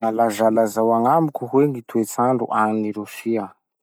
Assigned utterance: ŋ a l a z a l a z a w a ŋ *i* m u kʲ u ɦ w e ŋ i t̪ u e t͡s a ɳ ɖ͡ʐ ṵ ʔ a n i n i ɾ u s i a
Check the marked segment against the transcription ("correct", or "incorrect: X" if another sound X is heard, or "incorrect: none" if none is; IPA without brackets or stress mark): incorrect: a